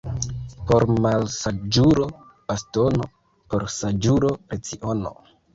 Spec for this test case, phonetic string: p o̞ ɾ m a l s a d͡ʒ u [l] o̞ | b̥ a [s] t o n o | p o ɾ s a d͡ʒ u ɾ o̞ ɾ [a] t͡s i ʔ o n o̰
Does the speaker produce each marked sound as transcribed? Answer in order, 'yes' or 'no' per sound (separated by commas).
no, yes, no